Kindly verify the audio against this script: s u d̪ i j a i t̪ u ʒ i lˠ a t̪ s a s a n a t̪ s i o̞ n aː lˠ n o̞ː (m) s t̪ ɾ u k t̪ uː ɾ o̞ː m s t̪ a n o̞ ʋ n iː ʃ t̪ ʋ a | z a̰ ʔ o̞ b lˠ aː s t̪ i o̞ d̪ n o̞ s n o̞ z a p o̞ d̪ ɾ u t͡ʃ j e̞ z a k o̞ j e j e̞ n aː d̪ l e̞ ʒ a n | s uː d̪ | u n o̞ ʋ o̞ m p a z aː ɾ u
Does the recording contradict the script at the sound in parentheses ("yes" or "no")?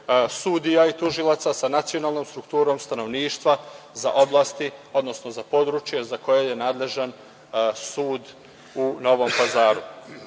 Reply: no